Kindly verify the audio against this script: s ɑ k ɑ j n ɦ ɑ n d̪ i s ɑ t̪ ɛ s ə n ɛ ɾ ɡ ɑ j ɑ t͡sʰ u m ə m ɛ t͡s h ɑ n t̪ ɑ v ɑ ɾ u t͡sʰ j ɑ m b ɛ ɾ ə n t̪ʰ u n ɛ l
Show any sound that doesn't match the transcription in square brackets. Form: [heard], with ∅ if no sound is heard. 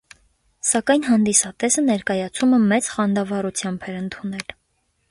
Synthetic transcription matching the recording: s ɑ k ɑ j n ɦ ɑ n d̪ i s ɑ t̪ ɛ s ə n ɛ ɾ [k] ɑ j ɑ t͡sʰ u m ə m ɛ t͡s [χ] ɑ n [d̪] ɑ v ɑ ɾ u t͡sʰ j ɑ m b ɛ ɾ ə n t̪ʰ u n ɛ l